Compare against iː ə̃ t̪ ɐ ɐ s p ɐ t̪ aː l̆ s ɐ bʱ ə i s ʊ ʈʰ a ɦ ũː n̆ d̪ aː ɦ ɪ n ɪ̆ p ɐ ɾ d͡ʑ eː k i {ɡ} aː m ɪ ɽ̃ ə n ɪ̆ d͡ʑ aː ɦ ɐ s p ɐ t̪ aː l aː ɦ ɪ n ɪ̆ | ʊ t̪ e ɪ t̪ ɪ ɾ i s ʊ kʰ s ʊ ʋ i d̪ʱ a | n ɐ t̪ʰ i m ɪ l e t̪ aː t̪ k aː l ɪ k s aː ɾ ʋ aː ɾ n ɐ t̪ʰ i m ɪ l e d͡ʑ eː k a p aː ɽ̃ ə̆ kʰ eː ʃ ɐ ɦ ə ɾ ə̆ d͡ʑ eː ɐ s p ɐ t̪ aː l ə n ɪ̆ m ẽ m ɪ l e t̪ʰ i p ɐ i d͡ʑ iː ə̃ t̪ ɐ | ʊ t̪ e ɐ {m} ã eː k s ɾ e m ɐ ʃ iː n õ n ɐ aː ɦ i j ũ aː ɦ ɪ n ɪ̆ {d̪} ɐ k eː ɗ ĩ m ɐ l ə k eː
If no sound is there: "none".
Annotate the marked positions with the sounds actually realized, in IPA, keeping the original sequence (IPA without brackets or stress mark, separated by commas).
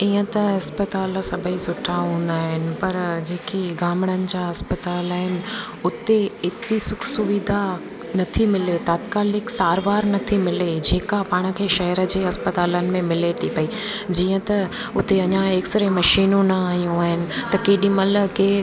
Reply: ɡ, ɲ, t̪